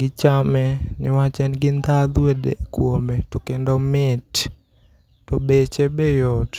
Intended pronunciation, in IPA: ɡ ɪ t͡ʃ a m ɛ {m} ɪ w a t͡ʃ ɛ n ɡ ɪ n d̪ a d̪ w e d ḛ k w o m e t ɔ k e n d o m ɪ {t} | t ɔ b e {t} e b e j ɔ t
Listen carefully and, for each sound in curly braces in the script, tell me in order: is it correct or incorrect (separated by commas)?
incorrect, correct, incorrect